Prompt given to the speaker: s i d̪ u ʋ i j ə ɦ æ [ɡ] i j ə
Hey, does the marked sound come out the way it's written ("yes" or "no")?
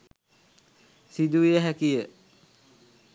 no